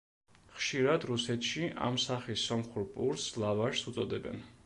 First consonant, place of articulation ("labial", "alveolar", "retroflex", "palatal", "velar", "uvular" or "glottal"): uvular